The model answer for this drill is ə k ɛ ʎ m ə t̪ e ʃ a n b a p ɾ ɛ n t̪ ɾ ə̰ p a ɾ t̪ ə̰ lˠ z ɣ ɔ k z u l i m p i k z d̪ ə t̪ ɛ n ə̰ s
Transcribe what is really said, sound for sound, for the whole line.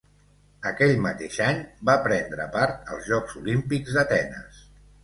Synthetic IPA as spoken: ə k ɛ ʎ m ə t̪ e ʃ a ɲ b a p ɾ ɛ n d̪ ɾ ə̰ p a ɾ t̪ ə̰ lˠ z ʒ ɔ k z u l i m p i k z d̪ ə t̪ ɛ n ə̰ s